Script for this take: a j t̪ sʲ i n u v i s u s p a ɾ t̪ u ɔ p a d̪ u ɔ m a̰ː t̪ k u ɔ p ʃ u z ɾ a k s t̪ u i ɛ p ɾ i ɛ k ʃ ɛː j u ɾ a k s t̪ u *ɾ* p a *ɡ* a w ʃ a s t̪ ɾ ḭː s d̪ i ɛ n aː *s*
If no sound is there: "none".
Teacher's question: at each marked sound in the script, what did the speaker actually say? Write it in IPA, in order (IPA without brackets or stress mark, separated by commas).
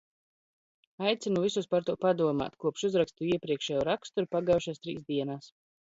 ɾ, ɡ, s